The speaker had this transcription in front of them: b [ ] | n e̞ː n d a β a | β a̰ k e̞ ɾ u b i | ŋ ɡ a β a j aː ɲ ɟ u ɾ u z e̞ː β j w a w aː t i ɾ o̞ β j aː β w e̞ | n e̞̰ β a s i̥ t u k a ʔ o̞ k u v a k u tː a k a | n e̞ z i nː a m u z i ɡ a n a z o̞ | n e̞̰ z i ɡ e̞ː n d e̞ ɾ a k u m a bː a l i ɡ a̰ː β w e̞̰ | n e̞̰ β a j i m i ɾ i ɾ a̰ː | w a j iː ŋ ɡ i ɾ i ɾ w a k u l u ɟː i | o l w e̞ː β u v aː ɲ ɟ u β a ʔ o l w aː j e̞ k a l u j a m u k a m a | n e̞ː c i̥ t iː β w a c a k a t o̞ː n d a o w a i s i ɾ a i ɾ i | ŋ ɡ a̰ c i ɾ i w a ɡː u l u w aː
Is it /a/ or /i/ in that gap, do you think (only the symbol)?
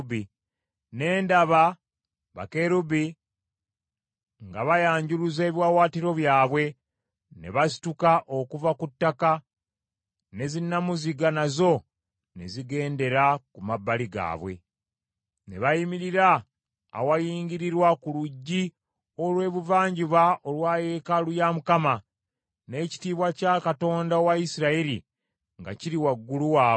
i